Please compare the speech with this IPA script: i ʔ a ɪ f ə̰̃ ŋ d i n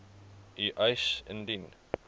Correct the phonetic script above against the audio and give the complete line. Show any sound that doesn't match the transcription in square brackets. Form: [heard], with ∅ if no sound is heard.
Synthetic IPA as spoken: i ʔ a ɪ [s] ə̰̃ [n] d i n